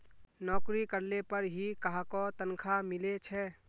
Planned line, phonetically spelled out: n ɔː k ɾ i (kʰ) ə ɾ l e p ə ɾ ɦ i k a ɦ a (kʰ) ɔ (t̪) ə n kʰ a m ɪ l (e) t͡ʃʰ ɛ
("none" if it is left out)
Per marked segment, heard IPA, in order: k, k, t̪, e

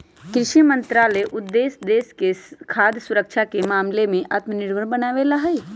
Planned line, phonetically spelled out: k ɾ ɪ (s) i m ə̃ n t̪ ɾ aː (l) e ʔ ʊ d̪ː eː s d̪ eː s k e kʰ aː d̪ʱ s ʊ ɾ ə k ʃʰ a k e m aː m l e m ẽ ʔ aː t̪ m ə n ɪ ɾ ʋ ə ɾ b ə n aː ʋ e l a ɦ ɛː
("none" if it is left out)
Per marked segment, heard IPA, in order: ʃ, l

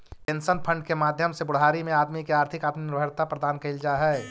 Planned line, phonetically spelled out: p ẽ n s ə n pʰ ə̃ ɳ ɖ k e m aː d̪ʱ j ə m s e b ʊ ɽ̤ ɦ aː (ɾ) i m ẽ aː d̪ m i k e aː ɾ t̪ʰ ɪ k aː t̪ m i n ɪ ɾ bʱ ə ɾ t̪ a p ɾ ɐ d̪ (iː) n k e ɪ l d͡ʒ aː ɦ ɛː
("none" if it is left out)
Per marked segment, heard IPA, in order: ɾ, aː

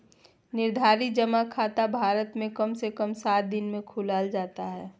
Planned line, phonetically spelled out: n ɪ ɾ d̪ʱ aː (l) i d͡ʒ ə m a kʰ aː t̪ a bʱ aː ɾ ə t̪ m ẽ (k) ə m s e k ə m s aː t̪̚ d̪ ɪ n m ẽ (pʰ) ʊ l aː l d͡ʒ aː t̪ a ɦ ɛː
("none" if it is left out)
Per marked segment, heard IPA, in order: ɾ, k, kʰ

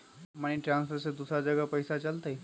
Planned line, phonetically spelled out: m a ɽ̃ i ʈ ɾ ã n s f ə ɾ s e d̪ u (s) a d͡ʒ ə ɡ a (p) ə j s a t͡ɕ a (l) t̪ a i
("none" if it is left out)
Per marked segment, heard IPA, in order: s, p, l

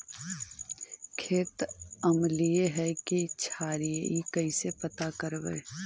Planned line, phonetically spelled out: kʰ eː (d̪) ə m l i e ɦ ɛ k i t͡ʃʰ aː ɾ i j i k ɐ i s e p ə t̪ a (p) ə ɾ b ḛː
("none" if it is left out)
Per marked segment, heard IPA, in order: t̪, k

